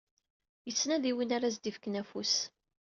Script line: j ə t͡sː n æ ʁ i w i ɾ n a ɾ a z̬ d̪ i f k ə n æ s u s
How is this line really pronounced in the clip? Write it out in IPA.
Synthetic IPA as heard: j ə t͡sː n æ ð i w i n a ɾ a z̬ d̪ i f k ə n æ f u s